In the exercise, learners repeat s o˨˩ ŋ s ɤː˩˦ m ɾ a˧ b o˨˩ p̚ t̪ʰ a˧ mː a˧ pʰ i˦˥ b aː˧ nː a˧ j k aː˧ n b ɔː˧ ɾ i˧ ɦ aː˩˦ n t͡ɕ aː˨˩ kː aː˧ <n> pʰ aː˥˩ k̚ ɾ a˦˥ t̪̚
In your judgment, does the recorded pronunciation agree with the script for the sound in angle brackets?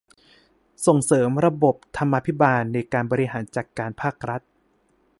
yes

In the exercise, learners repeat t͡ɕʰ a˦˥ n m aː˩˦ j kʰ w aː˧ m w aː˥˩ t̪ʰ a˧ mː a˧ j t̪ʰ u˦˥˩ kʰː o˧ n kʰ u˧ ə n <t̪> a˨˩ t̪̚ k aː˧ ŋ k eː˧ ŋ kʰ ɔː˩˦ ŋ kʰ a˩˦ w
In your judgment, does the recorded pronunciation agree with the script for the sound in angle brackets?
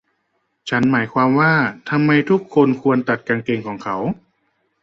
yes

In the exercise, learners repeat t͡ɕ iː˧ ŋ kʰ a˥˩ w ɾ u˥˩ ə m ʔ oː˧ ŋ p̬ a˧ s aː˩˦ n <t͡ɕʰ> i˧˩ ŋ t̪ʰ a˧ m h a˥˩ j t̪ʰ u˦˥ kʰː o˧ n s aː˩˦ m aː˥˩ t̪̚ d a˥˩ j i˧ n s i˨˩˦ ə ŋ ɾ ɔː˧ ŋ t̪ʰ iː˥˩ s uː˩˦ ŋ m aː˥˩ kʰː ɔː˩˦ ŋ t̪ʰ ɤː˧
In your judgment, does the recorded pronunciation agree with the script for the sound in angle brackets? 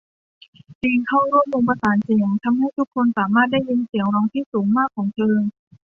no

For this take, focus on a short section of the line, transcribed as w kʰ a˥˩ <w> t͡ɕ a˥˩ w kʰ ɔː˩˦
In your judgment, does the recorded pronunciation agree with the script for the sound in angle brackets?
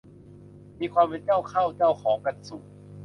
yes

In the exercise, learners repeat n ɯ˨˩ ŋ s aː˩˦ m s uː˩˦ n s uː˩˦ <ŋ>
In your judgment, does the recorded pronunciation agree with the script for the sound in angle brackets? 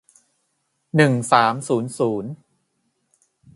no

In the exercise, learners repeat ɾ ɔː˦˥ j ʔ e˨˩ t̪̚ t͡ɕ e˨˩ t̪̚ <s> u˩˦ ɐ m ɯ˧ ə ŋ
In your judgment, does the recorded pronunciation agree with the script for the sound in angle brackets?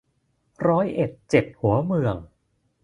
no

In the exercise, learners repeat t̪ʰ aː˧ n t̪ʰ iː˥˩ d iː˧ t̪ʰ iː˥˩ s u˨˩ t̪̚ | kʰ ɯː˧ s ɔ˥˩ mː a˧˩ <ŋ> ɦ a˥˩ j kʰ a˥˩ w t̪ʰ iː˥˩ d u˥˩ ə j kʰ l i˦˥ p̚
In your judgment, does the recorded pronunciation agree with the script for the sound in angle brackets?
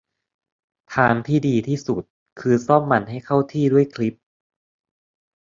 no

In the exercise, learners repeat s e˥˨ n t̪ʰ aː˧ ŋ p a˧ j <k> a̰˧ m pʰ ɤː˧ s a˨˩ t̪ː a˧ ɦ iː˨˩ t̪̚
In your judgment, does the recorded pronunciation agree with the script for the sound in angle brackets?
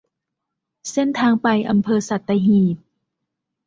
no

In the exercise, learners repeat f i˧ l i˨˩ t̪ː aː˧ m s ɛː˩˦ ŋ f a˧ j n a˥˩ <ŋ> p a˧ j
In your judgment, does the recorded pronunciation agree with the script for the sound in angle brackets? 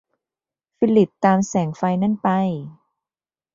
no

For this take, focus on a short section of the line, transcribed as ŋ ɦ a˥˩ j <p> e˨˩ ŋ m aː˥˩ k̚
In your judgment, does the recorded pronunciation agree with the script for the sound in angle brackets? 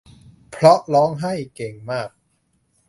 no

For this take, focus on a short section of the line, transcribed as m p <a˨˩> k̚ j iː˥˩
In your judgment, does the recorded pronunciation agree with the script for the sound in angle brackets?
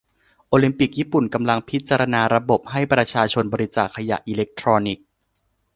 no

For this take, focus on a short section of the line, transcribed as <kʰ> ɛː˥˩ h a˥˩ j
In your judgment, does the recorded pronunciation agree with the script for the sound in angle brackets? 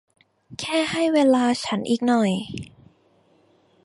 yes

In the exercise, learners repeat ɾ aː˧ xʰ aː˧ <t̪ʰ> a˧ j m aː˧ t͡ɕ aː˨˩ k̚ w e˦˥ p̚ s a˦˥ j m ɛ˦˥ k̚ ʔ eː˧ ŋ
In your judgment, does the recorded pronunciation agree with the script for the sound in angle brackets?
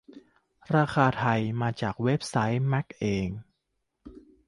yes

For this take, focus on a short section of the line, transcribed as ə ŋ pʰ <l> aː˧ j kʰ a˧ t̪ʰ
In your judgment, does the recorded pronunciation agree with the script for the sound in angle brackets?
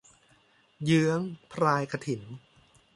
no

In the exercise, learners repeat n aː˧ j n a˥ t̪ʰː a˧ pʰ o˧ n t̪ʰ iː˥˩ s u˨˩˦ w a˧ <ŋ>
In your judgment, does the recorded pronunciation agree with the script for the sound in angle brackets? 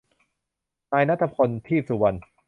no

